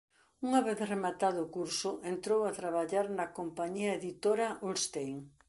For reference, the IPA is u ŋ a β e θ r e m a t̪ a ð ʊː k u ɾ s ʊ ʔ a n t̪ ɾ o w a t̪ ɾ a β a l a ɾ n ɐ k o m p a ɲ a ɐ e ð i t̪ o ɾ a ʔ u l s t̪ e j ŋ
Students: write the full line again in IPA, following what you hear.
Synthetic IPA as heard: u ŋ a β e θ r e m a t̪ a ð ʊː k u ɾ s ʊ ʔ e n t̪ ɾ o w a t̪ ɾ a β a ʎ a ɾ n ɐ k o m p a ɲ i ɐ e ð i t̪ o ɾ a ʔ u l s t̪ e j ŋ

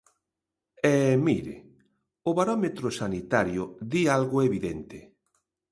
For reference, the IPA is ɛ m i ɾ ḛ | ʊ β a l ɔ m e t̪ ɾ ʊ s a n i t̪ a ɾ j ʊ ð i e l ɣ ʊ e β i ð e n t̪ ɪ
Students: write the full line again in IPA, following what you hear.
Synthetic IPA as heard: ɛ m i ɾ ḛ | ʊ β a ɾ ɔ m e t̪ ɾ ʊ s a n i t̪ a ɾ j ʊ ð i a l ɣ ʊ e β i ð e n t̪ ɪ

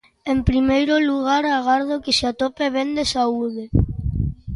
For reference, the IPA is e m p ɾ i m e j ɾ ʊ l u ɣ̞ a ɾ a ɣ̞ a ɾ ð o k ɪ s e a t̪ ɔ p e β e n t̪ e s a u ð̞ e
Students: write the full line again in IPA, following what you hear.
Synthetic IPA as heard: e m p ɾ i m e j ɾ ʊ l u ɣ̞ a ɾ a ɣ̞ a ɾ ð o k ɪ s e a t̪ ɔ p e β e n d̪ e s a u ð̞ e

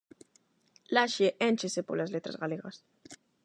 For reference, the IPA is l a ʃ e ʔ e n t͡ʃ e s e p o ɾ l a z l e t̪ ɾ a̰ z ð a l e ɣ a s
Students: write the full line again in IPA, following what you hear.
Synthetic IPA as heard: l a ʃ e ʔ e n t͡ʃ e s e p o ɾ l a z l e t̪ ɾ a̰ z ɣ a l e ɣ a s

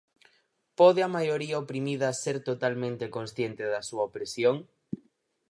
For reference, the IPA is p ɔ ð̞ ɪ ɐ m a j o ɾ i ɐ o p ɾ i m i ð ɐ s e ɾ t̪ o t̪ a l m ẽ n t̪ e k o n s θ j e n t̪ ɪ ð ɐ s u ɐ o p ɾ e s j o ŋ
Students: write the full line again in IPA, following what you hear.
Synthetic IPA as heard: p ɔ ð̞ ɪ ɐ m a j o ɾ i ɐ o p ɾ i m i ð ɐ s e ɾ t̪ o t̪ a l m ẽ n t̪ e k o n s θ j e n t̪ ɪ ð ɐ s u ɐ o p ɾ e s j o ŋ

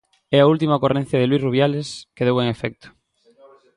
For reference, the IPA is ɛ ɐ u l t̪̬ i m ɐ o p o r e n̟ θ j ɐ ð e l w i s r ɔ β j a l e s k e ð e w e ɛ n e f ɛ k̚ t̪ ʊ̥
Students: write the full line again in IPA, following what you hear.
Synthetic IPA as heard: ɛ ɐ u l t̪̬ i m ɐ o k o r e n̟ θ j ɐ ð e l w i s r u β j a l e s k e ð e w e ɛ ŋ e f ɛ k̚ t̪ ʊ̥

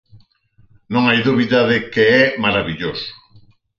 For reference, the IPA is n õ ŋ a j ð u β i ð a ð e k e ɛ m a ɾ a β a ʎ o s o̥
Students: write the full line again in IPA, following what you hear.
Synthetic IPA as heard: n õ ŋ a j ð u β i ð a ð e k e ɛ m a ɾ a β i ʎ o s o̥

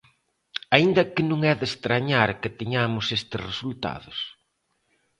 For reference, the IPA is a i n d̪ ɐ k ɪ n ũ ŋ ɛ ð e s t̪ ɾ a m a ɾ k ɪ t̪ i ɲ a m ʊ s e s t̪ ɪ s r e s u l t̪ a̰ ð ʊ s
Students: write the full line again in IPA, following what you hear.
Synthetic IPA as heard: a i n d̪ ɐ k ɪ n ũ ŋ ɛ ð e s t̪ ɾ a ɲ a ɾ k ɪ t̪ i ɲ a m ʊ s e s t̪ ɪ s r e s u l t̪ a̰ ð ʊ s

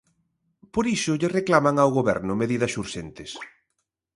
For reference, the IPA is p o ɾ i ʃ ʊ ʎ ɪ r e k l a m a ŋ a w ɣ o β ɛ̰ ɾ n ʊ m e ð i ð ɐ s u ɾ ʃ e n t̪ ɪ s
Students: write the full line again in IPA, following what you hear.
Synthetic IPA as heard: p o ɾ i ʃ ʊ ʎ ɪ r e k l a m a ŋ a w ɣ o β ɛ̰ ɾ n ʊ m e ð i ð ɐ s u ɾ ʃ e n t̪ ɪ s

